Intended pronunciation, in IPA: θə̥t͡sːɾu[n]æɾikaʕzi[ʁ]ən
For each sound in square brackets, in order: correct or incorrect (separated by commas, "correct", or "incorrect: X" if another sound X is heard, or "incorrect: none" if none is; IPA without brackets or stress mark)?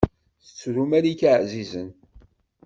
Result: incorrect: m, incorrect: z